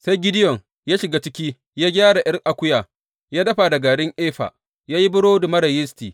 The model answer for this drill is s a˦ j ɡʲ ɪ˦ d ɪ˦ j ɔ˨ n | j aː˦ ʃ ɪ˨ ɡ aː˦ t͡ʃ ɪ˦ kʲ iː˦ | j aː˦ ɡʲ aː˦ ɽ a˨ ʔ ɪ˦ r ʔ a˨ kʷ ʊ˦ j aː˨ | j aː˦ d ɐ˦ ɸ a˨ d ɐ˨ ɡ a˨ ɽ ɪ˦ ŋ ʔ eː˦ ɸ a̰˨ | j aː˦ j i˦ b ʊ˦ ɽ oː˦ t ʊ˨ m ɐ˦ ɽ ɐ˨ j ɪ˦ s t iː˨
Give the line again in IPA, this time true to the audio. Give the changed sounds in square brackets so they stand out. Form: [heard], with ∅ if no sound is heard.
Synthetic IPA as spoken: s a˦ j ɡʲ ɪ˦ d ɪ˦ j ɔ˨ [ŋ] | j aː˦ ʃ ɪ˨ ɡ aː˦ t͡ʃ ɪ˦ kʲ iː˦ | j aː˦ ɡʲ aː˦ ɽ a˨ ʔ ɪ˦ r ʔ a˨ kʷ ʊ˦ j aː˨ | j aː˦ d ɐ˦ ɸ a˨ d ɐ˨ ɡ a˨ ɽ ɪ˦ ŋ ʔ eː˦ ɸ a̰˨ | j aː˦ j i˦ b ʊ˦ ɽ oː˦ [d] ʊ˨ m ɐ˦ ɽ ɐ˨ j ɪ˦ s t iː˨